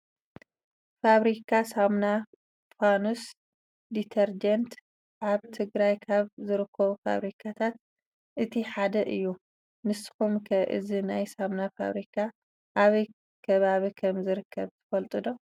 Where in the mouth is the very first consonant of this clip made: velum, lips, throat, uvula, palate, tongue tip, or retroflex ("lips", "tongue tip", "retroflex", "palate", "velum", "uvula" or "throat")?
lips